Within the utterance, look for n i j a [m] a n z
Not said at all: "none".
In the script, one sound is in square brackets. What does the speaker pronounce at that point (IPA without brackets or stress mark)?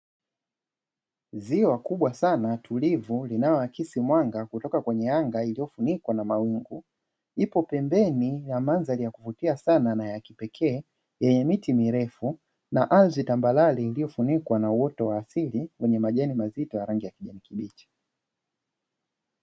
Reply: m